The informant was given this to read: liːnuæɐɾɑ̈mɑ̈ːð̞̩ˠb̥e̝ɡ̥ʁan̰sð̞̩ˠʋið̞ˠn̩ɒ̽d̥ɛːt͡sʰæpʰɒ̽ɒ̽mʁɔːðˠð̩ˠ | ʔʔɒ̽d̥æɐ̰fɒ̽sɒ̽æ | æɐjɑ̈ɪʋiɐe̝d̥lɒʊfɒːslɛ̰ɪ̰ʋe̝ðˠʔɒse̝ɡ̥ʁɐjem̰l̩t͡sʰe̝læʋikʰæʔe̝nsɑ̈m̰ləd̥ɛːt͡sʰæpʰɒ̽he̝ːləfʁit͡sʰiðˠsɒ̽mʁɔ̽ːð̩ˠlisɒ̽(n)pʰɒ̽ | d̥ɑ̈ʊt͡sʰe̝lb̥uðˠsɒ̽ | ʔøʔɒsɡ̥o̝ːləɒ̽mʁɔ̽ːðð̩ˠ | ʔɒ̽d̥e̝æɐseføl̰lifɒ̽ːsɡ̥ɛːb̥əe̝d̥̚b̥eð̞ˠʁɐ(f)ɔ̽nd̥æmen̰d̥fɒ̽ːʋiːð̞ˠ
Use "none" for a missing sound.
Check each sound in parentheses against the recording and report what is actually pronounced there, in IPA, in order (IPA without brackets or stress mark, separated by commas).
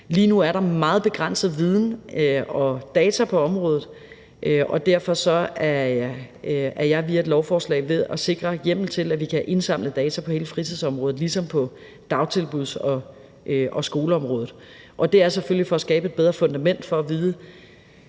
m, f